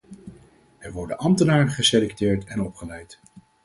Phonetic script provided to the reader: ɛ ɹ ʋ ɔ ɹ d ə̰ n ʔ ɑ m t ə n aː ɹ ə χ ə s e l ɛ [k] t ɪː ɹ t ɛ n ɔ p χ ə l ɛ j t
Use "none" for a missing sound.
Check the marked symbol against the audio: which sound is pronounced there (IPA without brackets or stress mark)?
k